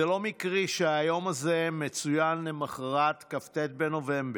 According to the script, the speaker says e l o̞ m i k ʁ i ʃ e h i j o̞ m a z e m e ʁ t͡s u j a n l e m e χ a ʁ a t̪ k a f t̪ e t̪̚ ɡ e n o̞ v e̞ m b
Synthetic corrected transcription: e l o̞ m i k ʁ i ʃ e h a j o̞ m a z e m e t͡s u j a n l e m a χ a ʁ a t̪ k a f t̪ e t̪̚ b e n o̞ v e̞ m b